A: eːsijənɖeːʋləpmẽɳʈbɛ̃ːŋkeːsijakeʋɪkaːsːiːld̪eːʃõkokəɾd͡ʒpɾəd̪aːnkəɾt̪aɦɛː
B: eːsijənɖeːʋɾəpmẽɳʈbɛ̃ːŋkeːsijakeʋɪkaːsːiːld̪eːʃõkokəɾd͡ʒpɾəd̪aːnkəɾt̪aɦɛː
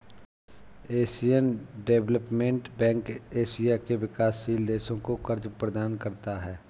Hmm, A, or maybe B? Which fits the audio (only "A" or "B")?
A